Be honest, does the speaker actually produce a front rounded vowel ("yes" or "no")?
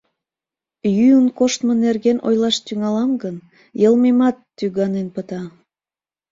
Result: yes